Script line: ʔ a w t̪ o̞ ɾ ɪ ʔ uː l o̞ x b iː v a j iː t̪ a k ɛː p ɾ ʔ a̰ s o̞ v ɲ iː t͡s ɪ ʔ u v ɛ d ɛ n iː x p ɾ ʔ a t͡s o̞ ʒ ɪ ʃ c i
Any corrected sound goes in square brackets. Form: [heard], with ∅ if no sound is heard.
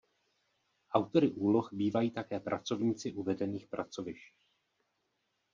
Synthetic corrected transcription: ʔ a w t̪ o̞ ɾ ɪ ʔ uː l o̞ x b iː v a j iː t̪ a k ɛː p ɾ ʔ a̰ [t͡s] o̞ v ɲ iː t͡s ɪ ʔ u v ɛ d ɛ n iː x p ɾ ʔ a t͡s o̞ [v] ɪ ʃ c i